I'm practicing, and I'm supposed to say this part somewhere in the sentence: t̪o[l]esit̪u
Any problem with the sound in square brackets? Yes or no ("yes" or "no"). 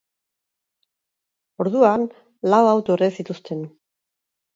yes